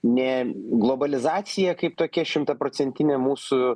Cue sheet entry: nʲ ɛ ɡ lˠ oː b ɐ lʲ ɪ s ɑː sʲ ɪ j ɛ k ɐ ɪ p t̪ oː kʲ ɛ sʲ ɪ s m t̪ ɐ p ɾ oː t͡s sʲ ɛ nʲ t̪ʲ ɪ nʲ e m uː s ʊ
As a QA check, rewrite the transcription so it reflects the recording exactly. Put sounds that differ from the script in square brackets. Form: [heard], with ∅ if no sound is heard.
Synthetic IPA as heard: nʲ ɛ ɡ lˠ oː b ɐ lʲ ɪ [z] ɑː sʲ ɪ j ɛ k ɐ ɪ p t̪ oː kʲ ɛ [ʃʲ] ɪ [∅] m t̪ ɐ p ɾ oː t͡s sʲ ɛ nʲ t̪ʲ ɪ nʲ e m uː s ʊ